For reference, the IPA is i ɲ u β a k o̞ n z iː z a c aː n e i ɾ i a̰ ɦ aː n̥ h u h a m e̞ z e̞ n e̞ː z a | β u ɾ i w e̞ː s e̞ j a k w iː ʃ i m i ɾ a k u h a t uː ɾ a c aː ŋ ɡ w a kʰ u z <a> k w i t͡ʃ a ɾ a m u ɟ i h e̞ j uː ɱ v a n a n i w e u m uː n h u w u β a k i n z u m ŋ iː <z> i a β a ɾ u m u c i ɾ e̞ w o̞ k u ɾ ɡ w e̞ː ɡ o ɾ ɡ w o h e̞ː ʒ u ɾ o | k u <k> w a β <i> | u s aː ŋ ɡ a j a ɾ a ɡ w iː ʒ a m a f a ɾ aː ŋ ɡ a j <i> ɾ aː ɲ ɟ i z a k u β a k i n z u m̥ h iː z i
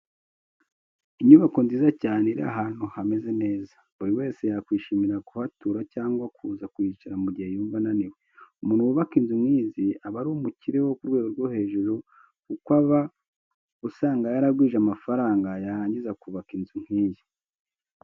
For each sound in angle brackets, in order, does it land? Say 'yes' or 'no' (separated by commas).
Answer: yes, yes, yes, no, no